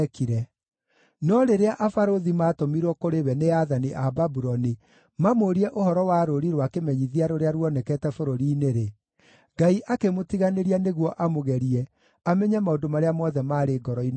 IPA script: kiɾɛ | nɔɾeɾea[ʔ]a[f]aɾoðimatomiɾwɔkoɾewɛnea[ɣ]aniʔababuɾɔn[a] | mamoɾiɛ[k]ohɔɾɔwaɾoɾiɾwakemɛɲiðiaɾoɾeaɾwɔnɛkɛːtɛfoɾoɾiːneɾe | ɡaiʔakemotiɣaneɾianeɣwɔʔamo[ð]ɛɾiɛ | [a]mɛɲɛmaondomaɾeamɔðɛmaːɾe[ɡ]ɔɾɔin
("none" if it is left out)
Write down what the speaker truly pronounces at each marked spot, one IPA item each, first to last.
ʔ, f, ð, i, ʔ, ɣ, a, ɡ

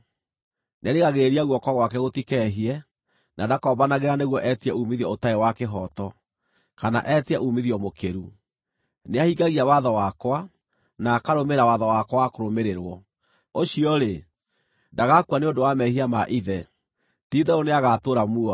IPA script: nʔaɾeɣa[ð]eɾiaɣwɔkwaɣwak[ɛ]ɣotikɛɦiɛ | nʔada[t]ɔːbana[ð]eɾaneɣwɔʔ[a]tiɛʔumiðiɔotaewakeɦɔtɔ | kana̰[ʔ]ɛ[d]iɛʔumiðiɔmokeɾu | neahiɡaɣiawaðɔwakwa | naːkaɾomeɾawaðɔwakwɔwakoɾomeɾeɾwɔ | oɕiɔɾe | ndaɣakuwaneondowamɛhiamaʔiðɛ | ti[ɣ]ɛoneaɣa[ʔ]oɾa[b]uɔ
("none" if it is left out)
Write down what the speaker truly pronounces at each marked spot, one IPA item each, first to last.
ɣ, ɛ, k, ɣ, ɛ, ʔ, t, ð, t, m

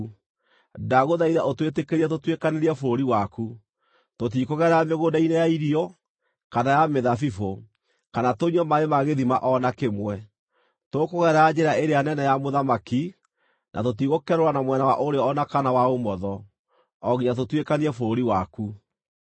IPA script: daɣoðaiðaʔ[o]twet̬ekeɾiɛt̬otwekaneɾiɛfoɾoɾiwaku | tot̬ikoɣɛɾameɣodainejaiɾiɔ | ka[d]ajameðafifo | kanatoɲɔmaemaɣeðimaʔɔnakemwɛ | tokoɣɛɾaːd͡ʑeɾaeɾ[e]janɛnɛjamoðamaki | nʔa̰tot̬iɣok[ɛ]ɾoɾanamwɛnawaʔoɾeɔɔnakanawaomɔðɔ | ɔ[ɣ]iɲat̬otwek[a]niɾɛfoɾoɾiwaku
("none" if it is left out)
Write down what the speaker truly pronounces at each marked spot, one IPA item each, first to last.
o, n, e, ɛ, ɣ, a

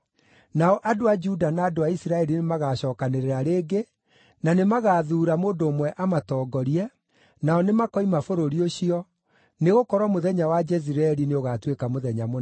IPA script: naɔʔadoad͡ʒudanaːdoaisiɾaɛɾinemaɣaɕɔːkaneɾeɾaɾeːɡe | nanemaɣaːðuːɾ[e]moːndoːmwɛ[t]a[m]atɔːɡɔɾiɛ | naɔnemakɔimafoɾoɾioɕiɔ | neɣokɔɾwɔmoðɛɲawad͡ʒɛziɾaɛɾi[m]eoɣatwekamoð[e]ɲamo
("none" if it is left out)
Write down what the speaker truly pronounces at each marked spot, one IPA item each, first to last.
a, ʔ, m, n, ɛ

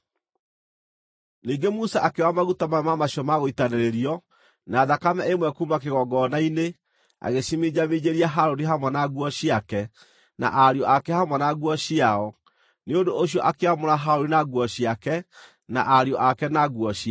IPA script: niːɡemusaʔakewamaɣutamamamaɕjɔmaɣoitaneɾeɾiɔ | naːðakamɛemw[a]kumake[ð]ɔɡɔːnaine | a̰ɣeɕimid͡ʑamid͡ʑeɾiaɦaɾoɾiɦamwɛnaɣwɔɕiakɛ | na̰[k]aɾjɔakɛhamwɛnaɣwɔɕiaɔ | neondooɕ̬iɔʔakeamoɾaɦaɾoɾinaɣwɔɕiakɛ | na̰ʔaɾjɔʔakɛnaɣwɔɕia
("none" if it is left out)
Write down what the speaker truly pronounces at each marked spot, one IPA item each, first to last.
ɛ, ɣ, ʔ

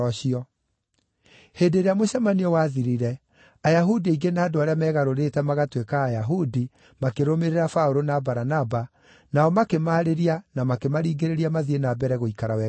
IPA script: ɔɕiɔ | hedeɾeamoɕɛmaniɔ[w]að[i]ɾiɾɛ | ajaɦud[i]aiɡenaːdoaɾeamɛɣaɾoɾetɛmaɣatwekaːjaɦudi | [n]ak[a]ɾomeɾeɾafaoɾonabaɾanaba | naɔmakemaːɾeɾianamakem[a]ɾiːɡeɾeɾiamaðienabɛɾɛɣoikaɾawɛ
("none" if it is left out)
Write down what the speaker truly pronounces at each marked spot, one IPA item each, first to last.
w, i, i, m, e, a

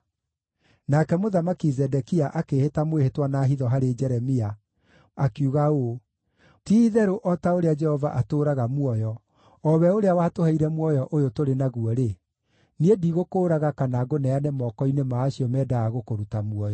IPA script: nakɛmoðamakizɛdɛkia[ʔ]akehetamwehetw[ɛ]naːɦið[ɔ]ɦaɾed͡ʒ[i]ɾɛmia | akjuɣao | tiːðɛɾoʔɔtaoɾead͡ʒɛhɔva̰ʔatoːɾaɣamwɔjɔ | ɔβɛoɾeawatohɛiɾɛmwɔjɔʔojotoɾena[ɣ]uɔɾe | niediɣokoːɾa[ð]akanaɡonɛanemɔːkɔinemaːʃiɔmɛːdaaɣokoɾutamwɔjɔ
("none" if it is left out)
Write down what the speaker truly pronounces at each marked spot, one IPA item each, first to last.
ʔ, a, ɔ, ɛ, ɣ, ɣ

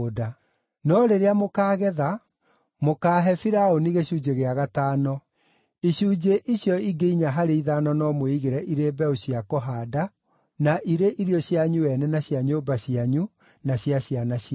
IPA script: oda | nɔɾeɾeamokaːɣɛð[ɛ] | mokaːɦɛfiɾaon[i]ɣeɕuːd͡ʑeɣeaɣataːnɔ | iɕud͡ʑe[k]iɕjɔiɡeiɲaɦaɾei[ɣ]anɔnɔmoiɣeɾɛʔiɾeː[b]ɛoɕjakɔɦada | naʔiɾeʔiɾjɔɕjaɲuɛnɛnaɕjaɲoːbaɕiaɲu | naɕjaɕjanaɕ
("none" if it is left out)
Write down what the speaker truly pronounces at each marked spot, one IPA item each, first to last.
a, i, ʔ, ð, b

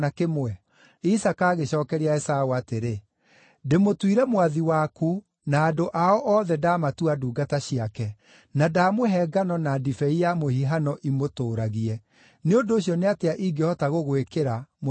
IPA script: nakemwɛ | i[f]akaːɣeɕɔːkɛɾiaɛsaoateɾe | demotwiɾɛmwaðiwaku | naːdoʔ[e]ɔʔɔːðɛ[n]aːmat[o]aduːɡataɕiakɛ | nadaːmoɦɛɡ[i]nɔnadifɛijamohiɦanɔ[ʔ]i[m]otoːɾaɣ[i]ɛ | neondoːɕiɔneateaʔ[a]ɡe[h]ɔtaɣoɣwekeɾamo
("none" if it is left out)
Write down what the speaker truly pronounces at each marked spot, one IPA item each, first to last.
s, a, d, u, a, ʔ, m, i, i, h

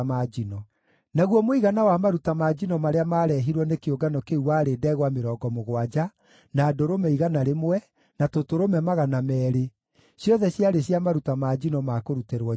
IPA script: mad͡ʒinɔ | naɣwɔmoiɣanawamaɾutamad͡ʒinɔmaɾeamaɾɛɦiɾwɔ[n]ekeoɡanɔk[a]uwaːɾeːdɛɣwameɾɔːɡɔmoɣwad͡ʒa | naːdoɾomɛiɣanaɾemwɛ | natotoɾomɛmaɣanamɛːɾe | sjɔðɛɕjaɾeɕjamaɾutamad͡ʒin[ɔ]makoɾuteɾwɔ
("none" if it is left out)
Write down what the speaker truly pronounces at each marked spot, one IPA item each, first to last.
n, e, ɔ

